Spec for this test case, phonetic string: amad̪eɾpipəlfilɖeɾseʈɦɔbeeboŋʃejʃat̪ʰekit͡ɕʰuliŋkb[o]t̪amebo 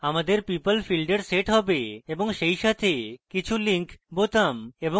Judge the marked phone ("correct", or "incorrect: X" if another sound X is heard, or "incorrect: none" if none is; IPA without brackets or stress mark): correct